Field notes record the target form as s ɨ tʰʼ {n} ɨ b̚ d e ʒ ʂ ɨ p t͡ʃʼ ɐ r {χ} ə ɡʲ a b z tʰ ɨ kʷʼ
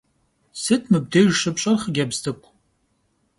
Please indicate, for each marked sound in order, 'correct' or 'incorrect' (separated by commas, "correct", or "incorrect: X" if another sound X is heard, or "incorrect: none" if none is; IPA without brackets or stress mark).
incorrect: m, correct